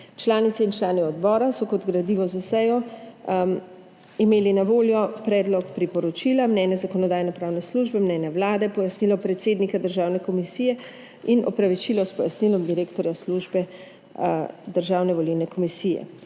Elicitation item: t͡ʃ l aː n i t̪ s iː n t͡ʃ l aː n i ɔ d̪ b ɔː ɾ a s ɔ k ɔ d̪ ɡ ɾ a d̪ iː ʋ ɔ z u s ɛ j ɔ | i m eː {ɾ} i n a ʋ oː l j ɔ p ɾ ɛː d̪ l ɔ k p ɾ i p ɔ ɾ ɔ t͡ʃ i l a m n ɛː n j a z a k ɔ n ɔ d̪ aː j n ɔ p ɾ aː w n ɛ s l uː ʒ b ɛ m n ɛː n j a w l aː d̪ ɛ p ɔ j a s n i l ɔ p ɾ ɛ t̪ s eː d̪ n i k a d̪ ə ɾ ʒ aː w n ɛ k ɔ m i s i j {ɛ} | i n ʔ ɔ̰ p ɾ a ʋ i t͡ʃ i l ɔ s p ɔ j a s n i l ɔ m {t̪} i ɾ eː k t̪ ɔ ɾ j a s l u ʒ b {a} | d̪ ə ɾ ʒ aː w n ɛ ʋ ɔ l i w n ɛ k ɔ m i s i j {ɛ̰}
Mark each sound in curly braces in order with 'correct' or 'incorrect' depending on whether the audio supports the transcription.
incorrect: l, correct, incorrect: d̪, incorrect: ɛ, correct

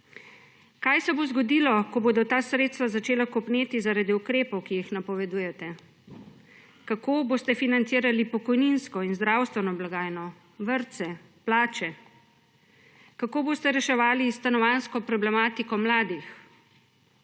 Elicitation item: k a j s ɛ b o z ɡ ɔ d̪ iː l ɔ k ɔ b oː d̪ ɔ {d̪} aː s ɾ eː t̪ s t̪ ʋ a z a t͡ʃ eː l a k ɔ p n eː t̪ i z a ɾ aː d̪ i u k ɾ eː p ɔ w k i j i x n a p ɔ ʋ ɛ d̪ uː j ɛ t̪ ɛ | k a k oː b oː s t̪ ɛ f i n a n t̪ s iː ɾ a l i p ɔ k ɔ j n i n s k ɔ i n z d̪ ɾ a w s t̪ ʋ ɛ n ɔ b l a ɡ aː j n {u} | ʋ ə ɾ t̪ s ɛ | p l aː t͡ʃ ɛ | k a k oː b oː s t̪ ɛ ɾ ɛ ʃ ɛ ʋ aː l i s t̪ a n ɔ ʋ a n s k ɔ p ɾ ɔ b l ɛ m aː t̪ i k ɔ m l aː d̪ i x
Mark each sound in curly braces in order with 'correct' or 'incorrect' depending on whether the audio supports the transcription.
incorrect: t̪, incorrect: ɔ

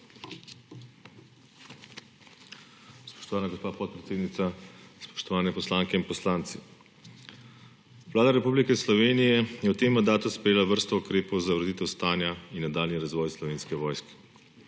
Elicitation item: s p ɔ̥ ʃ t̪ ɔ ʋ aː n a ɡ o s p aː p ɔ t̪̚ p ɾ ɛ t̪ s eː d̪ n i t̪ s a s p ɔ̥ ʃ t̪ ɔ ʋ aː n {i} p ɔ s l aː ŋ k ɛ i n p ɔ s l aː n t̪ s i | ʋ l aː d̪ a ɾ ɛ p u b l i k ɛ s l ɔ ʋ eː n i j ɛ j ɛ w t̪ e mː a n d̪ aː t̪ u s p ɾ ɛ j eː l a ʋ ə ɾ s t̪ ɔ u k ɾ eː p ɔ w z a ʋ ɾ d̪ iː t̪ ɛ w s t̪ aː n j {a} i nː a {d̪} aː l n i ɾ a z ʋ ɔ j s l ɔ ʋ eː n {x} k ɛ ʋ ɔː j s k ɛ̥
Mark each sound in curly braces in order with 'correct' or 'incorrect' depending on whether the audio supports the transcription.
incorrect: ɛ, correct, correct, incorrect: s

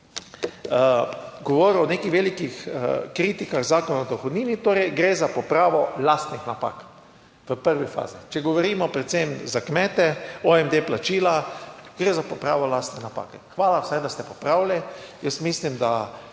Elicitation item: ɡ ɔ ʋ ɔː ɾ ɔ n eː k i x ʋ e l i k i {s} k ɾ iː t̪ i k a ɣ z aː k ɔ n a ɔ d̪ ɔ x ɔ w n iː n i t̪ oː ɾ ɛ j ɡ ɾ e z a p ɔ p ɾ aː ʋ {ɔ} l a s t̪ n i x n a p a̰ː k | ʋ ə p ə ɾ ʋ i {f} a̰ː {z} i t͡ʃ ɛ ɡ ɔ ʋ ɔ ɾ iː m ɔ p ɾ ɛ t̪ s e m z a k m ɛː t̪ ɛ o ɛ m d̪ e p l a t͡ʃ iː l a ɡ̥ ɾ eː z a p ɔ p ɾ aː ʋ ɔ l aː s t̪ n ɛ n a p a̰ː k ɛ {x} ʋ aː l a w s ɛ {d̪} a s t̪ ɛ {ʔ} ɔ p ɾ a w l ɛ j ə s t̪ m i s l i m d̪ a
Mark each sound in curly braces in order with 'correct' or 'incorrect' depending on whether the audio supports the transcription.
incorrect: x, correct, correct, correct, correct, correct, incorrect: p

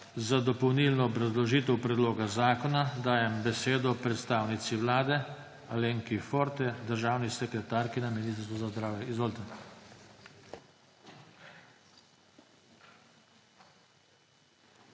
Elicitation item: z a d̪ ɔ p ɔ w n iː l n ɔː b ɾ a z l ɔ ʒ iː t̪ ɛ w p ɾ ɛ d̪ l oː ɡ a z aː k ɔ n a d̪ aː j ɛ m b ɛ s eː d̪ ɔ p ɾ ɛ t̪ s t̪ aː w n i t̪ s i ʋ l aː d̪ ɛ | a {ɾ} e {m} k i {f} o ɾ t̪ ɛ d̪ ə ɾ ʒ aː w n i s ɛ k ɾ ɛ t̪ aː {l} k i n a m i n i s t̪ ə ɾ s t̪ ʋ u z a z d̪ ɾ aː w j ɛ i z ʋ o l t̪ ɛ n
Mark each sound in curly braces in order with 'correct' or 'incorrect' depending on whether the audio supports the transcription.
incorrect: l, incorrect: ŋ, correct, incorrect: ɾ

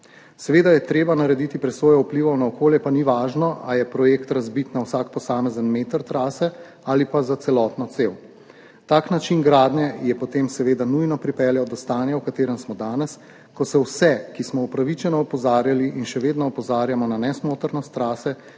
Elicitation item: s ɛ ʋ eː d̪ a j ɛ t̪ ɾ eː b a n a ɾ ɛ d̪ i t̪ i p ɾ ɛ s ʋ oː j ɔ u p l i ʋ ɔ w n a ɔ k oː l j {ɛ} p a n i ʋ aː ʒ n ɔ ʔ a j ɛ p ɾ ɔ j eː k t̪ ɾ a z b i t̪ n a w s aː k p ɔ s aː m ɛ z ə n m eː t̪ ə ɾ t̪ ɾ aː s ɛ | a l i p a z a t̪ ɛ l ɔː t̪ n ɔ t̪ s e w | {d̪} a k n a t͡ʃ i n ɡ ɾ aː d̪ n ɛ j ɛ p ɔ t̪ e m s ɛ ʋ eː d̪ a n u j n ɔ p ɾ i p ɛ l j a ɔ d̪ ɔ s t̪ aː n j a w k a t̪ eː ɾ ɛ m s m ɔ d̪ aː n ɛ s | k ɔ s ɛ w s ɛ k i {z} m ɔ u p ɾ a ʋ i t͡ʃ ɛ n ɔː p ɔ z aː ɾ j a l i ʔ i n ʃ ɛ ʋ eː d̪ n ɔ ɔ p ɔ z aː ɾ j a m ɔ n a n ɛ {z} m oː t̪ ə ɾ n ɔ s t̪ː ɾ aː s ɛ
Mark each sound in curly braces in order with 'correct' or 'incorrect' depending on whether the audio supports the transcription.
correct, incorrect: t̪, incorrect: s, incorrect: s

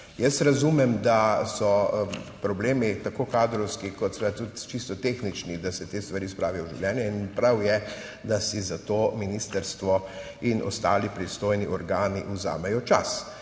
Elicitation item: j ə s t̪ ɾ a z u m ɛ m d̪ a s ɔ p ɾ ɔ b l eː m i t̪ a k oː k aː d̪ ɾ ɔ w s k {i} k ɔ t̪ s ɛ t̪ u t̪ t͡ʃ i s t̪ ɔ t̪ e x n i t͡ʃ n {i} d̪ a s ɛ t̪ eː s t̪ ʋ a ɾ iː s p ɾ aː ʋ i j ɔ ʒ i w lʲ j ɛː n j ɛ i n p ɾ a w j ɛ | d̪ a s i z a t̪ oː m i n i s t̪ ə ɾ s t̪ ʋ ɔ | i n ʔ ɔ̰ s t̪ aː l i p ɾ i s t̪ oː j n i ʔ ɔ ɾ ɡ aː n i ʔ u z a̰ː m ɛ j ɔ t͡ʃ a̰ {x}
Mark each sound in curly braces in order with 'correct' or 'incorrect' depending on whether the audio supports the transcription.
correct, correct, incorrect: s

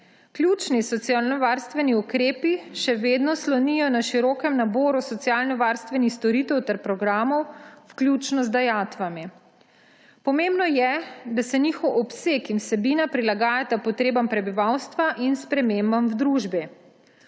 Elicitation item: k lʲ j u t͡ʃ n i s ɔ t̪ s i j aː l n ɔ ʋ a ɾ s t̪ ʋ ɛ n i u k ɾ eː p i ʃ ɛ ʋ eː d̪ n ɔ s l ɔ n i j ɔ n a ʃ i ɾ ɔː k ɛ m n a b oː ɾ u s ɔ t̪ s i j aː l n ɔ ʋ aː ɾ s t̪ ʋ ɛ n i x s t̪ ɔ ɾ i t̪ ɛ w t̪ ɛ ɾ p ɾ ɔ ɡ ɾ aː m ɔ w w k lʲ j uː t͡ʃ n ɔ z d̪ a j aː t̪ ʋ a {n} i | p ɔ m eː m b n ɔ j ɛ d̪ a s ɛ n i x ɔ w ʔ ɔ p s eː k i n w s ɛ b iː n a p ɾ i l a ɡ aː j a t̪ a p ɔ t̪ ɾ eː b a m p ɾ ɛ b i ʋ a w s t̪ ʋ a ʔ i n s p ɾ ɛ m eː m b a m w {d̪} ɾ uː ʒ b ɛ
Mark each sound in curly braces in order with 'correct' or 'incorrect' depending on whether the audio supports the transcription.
incorrect: m, correct

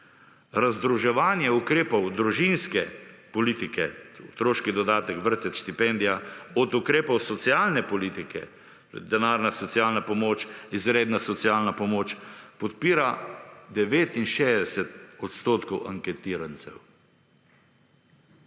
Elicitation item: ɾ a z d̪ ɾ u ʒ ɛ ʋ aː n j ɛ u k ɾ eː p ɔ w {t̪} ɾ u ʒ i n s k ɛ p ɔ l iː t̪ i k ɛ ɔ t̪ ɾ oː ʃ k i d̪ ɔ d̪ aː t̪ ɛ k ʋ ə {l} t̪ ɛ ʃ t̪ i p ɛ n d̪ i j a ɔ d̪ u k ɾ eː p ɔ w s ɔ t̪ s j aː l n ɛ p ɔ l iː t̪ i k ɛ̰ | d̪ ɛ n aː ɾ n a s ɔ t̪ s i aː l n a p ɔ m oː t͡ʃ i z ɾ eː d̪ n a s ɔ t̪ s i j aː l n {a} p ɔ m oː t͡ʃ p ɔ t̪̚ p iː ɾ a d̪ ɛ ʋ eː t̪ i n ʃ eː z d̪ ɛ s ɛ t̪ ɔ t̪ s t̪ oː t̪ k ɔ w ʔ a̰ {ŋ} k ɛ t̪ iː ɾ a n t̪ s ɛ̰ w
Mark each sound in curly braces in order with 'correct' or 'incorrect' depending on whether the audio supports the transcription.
incorrect: d̪, incorrect: ɾ, correct, correct

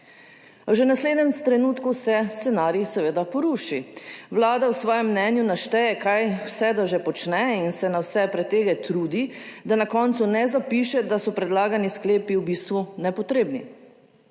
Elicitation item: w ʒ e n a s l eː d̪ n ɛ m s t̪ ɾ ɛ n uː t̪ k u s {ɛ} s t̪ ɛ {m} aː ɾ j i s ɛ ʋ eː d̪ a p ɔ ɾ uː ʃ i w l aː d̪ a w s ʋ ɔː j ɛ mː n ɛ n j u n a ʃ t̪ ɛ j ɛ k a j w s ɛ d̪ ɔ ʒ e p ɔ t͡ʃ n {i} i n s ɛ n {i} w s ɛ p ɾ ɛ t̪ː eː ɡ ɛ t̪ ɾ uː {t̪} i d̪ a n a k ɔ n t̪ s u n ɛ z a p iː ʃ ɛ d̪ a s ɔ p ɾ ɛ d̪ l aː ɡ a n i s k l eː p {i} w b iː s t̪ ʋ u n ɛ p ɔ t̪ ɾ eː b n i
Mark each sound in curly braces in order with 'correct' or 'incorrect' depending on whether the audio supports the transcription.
correct, incorrect: n, incorrect: ɛ, incorrect: a, incorrect: d̪, correct

